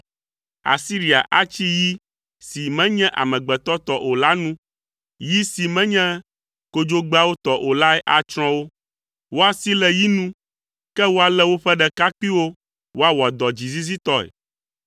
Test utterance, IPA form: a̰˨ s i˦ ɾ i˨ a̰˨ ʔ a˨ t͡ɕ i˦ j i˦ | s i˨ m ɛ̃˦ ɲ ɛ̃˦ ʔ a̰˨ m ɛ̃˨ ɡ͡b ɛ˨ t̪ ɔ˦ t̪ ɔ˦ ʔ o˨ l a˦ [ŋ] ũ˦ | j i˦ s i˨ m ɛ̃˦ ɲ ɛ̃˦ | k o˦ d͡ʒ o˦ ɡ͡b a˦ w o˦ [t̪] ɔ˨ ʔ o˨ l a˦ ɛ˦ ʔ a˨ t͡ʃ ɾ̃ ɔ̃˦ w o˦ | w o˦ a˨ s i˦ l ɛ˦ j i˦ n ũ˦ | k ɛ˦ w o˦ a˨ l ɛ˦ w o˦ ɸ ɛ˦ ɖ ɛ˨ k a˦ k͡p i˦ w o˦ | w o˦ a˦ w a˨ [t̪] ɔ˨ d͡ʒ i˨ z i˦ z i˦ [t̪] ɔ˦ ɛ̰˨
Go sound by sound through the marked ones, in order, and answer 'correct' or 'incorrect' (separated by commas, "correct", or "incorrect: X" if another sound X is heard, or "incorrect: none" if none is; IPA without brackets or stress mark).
incorrect: n, correct, incorrect: d̪, correct